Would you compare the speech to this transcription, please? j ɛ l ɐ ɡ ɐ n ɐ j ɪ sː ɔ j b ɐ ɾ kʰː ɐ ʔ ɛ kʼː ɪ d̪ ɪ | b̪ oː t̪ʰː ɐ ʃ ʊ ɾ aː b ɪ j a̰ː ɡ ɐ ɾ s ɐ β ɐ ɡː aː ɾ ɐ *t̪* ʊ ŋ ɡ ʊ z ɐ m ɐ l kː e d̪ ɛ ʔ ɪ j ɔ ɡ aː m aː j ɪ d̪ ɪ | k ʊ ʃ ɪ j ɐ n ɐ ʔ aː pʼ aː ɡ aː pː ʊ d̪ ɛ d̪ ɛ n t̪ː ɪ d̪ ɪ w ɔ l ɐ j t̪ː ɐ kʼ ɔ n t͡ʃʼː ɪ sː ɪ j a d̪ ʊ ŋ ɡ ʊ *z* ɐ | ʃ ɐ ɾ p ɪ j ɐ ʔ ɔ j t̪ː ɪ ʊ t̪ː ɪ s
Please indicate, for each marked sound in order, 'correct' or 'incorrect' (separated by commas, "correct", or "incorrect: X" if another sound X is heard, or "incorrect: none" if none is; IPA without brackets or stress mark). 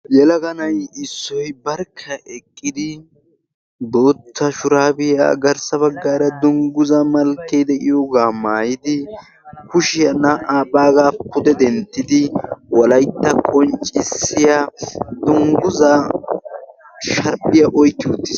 incorrect: d̪, correct